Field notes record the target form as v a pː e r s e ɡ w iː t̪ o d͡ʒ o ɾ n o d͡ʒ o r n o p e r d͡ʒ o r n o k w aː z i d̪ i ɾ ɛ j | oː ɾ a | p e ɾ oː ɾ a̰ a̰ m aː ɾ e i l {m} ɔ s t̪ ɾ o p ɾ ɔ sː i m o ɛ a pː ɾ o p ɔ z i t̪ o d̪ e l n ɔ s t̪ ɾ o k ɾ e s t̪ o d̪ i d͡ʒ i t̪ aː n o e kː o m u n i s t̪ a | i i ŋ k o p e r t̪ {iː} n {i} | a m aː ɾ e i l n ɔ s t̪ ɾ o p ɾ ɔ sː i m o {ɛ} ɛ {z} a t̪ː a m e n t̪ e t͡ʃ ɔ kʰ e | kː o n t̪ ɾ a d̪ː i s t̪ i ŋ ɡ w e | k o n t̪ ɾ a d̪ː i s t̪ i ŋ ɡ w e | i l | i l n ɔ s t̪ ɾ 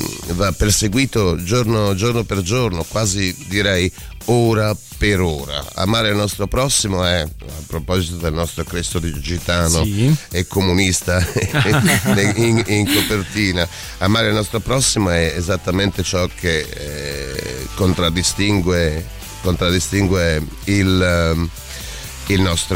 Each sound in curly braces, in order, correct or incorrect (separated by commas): incorrect, correct, incorrect, correct, correct